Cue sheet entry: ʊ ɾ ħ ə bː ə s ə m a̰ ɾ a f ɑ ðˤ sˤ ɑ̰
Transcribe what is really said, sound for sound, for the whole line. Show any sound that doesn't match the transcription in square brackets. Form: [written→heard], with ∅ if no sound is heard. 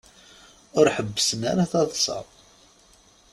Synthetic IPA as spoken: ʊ ɾ ħ ə bː ə s ə [m→n] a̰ ɾ a [f→θ] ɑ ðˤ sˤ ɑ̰